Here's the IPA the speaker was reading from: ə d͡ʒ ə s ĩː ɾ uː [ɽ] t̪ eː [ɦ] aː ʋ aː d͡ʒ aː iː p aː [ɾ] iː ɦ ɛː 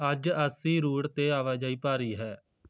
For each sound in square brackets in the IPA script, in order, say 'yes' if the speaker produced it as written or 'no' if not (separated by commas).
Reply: yes, no, yes